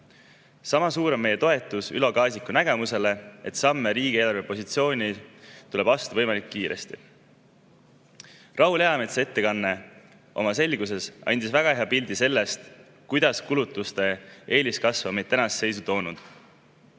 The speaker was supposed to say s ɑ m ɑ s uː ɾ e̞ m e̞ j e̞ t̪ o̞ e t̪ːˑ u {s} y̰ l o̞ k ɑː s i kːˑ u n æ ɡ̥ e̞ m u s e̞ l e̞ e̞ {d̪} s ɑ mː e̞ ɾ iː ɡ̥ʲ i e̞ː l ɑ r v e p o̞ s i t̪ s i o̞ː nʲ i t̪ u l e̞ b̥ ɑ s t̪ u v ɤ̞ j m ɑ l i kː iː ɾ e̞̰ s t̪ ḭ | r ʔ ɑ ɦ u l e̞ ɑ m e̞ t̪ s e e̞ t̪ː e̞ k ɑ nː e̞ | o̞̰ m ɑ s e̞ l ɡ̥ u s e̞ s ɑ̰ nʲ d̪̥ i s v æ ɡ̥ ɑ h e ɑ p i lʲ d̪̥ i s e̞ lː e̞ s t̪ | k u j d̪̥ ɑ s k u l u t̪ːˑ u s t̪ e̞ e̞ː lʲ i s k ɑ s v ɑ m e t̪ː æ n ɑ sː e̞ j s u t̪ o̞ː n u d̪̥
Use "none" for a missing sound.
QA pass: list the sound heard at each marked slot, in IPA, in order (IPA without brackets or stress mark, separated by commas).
s, t̪